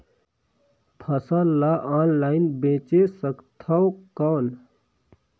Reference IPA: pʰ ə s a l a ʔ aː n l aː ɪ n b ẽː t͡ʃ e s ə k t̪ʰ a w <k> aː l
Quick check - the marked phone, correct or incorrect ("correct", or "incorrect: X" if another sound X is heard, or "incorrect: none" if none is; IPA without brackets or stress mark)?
correct